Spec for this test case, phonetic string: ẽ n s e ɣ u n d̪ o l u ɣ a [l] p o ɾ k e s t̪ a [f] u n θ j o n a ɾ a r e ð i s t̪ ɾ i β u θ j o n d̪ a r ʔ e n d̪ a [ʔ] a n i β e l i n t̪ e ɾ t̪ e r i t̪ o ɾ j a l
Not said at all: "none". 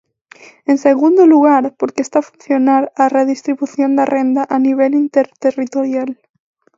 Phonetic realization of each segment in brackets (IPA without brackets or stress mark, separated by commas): ɾ, f, ʔ